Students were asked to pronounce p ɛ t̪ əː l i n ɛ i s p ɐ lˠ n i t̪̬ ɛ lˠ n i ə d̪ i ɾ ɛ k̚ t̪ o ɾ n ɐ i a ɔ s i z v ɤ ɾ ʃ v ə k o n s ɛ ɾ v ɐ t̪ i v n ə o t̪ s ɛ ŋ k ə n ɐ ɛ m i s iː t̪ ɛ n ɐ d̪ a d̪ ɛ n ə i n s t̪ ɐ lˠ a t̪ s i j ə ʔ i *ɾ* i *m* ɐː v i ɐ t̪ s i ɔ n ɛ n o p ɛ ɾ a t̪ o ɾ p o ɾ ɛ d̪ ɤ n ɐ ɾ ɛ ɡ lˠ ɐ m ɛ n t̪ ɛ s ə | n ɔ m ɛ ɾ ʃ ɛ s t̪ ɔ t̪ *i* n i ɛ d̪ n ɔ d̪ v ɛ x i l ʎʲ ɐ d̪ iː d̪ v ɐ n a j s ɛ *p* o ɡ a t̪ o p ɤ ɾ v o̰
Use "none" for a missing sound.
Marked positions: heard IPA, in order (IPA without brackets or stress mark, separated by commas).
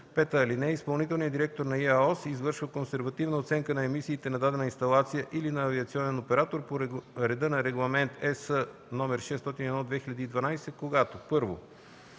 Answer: l, n, i, k